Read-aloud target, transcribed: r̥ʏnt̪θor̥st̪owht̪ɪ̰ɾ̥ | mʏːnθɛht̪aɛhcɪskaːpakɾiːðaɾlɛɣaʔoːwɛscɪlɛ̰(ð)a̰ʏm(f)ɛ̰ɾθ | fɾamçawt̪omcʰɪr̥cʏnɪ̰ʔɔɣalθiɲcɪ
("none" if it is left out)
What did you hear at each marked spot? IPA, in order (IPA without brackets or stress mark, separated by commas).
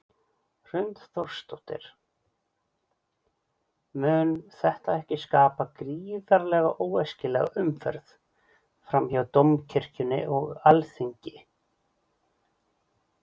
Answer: ɣ, f